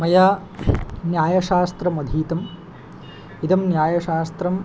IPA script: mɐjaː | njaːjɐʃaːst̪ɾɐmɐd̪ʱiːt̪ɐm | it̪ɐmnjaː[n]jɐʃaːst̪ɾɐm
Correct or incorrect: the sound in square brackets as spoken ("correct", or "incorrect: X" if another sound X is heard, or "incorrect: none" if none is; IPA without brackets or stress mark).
incorrect: none